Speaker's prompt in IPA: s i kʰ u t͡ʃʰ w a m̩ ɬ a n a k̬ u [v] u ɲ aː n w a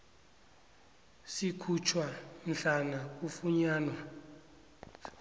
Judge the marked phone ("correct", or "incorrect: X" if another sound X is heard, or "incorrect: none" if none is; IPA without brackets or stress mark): incorrect: f